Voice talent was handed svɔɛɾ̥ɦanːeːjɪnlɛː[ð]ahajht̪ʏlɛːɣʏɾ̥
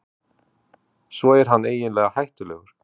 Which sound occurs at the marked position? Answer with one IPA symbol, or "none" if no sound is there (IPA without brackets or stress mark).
ɣ